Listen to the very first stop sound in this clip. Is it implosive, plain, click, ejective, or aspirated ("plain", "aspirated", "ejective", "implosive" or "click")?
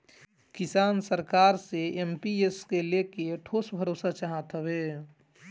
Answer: plain